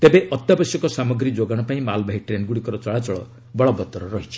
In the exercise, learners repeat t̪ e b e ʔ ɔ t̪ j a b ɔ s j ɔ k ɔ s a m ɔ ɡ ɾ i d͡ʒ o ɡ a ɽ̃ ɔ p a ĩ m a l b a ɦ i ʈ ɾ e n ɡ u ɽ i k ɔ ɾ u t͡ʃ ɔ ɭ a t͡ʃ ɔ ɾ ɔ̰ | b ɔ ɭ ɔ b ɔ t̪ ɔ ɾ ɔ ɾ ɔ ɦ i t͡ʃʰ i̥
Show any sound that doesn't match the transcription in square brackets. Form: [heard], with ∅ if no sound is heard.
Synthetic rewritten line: t̪ e b e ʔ ɔ t̪ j a b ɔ s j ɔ k ɔ s a m ɔ ɡ ɾ i d͡ʒ o ɡ a ɽ̃ ɔ p a ĩ m a l b a ɦ i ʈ ɾ e n ɡ u ɽ i k ɔ ɾ [ɔ] t͡ʃ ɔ ɭ a t͡ʃ ɔ [ɭ] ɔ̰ | b ɔ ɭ ɔ b ɔ t̪ ɔ ɾ ɔ ɾ ɔ ɦ i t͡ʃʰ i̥